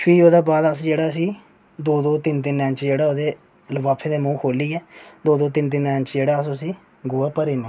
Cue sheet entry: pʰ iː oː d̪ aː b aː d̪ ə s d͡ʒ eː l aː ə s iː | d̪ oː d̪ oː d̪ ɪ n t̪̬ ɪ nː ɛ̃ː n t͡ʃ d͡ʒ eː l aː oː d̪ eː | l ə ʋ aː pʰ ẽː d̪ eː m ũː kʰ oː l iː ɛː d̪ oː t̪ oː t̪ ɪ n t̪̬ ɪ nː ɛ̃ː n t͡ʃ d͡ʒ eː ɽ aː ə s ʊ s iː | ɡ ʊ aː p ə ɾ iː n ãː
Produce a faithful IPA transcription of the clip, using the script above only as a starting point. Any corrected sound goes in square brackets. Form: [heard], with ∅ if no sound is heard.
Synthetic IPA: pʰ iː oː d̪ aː b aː d̪ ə s d͡ʒ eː [ɽ] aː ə s iː | d̪ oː d̪ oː [t̪] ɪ n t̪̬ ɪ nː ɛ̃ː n t͡ʃ d͡ʒ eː [ɽ] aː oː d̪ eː | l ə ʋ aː pʰ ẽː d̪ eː m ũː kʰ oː l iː ɛː d̪ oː [d̪] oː t̪ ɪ n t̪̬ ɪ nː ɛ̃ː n t͡ʃ d͡ʒ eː ɽ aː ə s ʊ s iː | ɡ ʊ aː p ə ɾ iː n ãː